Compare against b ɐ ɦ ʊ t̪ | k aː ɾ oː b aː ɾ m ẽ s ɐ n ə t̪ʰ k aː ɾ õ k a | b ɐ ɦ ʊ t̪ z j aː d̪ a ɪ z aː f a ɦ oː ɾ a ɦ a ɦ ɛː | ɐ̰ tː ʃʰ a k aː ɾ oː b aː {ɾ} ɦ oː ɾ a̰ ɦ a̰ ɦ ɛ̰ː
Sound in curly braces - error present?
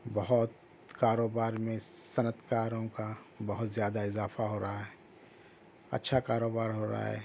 no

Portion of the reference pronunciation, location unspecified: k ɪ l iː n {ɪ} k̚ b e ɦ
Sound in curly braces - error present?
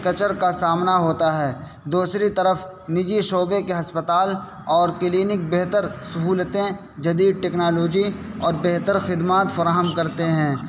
no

